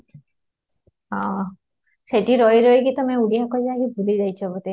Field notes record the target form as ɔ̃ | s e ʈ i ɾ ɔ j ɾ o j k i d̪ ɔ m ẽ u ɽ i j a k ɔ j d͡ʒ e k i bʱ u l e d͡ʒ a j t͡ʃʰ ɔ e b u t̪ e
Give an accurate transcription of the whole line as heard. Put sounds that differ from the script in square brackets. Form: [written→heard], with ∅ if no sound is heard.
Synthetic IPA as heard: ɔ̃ | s e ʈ i ɾ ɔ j ɾ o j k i [d̪→t̪] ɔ m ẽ u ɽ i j a k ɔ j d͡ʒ [e→a] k i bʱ u l [e→i] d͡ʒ a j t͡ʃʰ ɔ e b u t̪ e

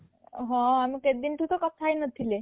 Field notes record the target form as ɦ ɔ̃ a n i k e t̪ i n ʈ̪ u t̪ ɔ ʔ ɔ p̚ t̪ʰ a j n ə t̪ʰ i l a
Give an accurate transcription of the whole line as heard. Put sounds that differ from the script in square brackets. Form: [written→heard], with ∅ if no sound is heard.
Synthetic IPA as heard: ɦ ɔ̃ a [n→m] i k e [t̪→d̪] i n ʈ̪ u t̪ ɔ [ʔ→k] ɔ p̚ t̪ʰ a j n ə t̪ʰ i l [a→e]

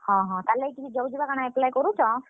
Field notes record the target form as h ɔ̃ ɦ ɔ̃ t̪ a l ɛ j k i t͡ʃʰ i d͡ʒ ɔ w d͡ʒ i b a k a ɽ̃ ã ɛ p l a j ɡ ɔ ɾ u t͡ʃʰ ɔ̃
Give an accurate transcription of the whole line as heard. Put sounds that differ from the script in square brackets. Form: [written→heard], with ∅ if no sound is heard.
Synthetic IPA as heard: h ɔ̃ ɦ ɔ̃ t̪ a l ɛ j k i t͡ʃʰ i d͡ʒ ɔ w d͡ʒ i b a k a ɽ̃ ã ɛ p l a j [ɡ→k] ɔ ɾ u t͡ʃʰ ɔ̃

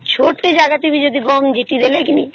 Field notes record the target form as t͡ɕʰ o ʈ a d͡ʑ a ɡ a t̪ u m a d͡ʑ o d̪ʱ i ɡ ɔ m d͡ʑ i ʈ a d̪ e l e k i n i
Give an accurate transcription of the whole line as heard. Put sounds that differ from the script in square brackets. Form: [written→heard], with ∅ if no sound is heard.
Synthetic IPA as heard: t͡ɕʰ o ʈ [a→e] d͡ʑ a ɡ a t̪ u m [a→i] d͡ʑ o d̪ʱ i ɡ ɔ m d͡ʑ i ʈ [a→i] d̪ e l e k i n i

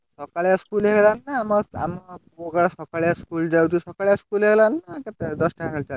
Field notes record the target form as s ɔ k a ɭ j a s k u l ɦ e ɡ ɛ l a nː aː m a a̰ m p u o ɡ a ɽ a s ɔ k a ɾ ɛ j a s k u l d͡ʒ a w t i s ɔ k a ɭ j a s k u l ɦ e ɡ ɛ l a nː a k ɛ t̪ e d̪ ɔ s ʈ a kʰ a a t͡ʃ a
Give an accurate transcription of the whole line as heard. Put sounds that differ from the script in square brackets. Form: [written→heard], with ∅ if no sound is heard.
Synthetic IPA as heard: s ɔ k a ɭ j a s k u l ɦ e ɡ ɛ l a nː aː m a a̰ m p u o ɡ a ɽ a s ɔ k a [ɾ→ɭ] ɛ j a s k u l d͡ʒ a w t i s ɔ k a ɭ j a s k u l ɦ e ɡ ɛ l a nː a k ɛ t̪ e d̪ ɔ s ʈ a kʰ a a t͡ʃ a

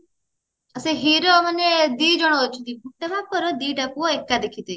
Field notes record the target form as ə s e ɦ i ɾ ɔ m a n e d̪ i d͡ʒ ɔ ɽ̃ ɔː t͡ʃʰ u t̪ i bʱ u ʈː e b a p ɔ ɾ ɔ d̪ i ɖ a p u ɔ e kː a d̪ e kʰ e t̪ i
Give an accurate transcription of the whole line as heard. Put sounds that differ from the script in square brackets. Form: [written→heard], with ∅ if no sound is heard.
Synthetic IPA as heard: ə s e ɦ i ɾ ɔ m a n e d̪ i d͡ʒ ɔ ɽ̃ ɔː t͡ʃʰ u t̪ i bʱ u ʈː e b a p ɔ ɾ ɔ d̪ i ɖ a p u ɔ e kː a d̪ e kʰ [e→i] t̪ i

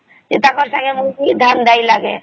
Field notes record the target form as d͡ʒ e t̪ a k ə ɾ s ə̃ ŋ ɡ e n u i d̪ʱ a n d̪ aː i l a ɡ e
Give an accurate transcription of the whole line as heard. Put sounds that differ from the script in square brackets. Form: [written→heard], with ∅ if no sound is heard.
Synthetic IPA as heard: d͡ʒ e t̪ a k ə ɾ s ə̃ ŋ ɡ e [n→m] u i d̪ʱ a n d̪ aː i l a ɡ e

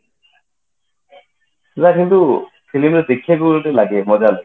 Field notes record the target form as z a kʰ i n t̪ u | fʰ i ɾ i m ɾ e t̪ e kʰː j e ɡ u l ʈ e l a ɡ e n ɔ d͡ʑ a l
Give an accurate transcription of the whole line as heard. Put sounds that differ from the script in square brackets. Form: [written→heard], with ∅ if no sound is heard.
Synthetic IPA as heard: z a [kʰ→k] i n t̪ u | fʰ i [ɾ→l] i m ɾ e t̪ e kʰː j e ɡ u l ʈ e l a ɡ e [n→m] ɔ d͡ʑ a l

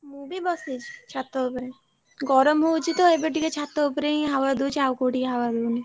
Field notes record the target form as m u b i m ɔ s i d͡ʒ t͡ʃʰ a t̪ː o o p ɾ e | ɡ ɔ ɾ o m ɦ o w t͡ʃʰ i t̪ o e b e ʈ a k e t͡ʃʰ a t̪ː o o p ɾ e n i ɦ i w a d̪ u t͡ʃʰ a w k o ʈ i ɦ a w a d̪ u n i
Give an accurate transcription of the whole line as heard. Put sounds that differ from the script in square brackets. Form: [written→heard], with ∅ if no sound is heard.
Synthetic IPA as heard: m u b i [m→b] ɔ s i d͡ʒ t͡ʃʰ a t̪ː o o p ɾ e | ɡ ɔ ɾ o m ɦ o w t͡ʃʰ i t̪ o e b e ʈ [a→i] k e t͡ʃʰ a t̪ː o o p ɾ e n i ɦ [i→a] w a d̪ u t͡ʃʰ a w k o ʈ i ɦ a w a d̪ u n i

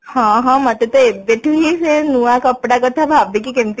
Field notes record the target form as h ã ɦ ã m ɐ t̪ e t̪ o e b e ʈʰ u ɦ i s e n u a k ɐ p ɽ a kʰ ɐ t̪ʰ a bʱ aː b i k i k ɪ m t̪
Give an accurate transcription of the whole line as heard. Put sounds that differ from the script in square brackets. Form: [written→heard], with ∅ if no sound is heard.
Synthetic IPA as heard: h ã ɦ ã m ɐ t̪ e t̪ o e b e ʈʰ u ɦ i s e n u a k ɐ p ɽ a [kʰ→k] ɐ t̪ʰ a bʱ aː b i k i k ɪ m t̪

